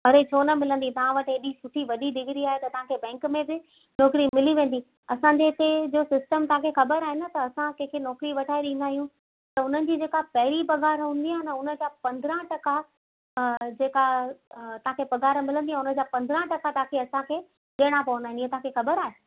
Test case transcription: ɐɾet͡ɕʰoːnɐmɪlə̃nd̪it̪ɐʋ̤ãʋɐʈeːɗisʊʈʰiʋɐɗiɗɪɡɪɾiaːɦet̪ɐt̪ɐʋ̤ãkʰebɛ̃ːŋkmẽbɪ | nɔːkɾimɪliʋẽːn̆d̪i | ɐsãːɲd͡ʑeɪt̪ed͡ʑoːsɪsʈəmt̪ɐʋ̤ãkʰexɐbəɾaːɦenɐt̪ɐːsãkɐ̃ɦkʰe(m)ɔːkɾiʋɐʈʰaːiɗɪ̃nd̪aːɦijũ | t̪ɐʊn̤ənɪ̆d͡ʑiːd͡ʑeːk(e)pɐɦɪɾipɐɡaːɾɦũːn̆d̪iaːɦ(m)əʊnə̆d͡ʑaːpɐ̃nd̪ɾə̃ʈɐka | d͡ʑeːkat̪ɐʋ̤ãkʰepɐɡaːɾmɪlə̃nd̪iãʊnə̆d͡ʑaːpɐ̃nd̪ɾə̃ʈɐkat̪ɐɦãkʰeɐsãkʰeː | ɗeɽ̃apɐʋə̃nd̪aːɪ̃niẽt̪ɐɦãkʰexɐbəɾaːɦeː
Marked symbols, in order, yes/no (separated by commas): no, no, no